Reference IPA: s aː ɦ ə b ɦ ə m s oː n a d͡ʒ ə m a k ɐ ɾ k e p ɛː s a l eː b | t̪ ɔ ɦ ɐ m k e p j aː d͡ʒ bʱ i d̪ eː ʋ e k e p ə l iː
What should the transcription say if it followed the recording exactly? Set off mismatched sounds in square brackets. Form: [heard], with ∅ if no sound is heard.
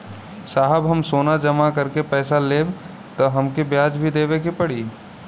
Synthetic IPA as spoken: s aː ɦ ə b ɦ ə m s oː n a d͡ʒ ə m a k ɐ ɾ k e p ɛː s a l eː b | t̪ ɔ ɦ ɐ m k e [b] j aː d͡ʒ bʱ i d̪ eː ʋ e k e p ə [ɽ] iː